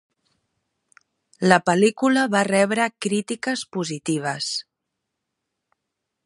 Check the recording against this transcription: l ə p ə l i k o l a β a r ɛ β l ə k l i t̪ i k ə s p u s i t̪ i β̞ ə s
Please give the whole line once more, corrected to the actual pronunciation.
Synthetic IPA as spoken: l ə p ə l i k u l ə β a r ɛ β ɾ ə k ɾ i t̪ i k ə s p u z i t̪ i β̞ ə s